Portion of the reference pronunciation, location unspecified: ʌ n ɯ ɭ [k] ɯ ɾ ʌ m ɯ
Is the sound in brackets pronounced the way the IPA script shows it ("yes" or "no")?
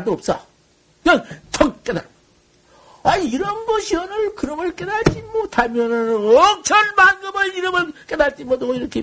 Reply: yes